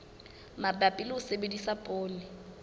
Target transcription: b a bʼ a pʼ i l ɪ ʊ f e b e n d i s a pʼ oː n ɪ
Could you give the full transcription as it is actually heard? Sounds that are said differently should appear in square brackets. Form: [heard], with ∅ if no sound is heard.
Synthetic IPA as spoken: [m] a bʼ a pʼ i l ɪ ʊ [s] e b e [∅] d i s a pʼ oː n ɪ